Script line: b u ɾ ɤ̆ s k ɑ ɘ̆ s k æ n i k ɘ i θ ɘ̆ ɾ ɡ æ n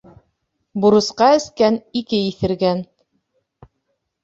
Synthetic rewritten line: b u ɾ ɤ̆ s q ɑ ɘ̆ s k æ n i k ɘ i θ ɘ̆ ɾ ɡ æ n